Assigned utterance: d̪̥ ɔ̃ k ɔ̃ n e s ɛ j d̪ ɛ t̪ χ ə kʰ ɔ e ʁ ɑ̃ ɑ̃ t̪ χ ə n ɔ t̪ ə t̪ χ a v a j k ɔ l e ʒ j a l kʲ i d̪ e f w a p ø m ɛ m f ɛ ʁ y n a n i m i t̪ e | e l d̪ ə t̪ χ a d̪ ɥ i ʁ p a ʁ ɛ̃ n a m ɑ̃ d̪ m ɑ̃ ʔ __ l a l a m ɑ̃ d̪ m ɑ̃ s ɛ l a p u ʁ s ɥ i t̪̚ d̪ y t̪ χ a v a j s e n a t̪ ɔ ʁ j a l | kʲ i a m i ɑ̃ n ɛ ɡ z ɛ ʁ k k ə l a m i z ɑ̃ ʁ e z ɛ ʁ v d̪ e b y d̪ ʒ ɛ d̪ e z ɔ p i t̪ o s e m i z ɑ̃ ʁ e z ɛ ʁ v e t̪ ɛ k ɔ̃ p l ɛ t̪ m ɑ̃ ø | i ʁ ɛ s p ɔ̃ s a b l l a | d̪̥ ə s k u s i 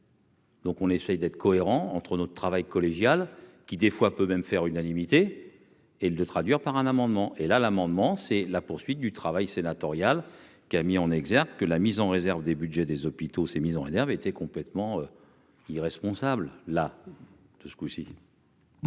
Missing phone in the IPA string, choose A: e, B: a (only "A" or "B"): A